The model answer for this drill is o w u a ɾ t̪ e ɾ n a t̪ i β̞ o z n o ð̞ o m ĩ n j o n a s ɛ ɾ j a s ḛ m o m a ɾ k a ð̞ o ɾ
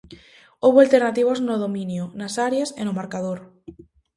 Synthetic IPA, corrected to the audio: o β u a l t̪ e ɾ n a t̪ i β̞ o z n o ð̞ o m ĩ n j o n a s a ɾ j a s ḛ n o m a ɾ k a ð̞ o ɾ